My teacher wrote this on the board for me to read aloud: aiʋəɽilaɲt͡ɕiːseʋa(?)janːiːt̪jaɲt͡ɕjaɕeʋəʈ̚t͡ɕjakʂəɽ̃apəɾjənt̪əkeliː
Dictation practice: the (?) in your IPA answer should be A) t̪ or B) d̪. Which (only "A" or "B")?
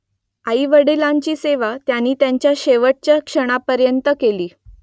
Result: A